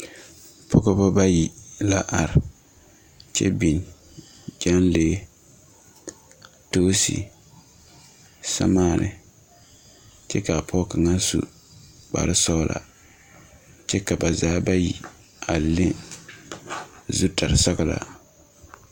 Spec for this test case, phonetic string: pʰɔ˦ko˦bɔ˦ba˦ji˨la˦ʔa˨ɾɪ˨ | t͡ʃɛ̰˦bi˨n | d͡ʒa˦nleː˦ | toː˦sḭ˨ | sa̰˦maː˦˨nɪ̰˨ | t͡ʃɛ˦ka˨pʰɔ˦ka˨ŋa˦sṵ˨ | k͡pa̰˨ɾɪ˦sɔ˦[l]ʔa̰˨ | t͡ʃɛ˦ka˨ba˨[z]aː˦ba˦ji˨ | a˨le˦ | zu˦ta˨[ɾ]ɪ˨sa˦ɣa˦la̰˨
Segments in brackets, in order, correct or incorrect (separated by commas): correct, correct, correct